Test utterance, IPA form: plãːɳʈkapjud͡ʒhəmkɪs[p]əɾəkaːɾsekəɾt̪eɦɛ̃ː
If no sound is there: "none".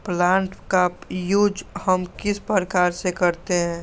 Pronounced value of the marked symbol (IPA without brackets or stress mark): p